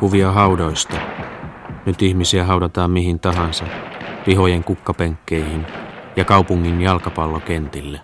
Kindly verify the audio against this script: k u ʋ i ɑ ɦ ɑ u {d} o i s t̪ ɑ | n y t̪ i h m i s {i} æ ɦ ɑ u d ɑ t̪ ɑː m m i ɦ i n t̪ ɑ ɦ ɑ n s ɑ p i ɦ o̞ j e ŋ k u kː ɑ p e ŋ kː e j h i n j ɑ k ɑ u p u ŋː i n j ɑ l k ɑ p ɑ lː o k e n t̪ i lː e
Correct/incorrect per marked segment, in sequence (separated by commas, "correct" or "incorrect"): correct, correct